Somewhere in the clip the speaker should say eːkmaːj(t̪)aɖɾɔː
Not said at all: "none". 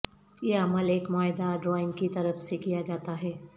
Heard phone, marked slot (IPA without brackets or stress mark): d̪